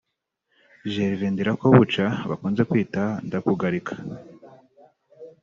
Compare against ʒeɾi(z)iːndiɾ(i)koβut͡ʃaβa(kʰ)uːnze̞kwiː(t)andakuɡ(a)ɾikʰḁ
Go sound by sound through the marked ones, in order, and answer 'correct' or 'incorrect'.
incorrect: v, incorrect: a, incorrect: k, correct, correct

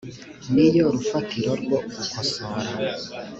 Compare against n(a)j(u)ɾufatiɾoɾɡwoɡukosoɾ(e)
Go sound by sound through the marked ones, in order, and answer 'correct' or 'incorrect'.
incorrect: i, incorrect: o, incorrect: a

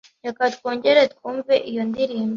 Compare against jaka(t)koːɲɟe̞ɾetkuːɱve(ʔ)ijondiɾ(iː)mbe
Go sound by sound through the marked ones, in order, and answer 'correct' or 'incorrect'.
correct, correct, correct

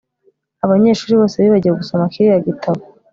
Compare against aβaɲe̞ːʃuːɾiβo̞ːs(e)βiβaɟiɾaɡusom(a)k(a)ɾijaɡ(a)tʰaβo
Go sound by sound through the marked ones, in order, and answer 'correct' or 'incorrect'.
correct, correct, incorrect: i, incorrect: i

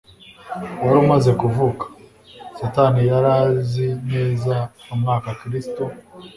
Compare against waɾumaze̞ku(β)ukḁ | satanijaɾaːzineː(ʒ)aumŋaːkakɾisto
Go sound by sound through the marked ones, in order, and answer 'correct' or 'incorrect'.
incorrect: v, incorrect: z

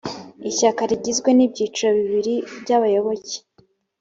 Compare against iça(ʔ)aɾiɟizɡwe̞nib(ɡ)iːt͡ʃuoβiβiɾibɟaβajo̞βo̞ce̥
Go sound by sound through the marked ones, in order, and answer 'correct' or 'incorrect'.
incorrect: k, incorrect: ɟ

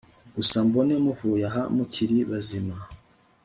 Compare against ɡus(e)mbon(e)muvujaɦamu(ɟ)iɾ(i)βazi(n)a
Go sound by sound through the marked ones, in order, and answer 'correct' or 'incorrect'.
incorrect: a, correct, incorrect: c, correct, incorrect: m

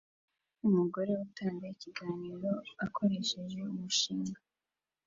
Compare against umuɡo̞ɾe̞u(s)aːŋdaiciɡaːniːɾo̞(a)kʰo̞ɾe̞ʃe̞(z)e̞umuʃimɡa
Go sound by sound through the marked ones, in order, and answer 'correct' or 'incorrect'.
incorrect: t, correct, incorrect: ʒ

